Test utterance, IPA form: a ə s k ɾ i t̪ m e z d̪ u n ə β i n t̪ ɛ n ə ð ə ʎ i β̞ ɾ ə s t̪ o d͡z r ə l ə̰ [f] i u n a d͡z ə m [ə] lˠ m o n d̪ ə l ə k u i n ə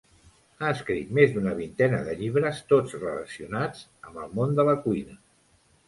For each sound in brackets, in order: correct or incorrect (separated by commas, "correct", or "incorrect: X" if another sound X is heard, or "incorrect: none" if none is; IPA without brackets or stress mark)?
incorrect: s, correct